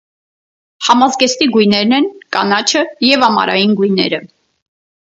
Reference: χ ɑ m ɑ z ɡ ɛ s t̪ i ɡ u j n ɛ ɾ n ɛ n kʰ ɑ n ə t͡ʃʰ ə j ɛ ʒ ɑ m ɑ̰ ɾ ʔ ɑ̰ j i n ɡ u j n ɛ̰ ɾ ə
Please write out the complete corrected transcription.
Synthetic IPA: h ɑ m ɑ z ɡ ɛ s t̪ i ɡ u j n ɛ ɾ n ɛ n k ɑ n ɑ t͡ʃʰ ə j ɛ v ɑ m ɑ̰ ɾ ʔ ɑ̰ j i n ɡ u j n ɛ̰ ɾ ə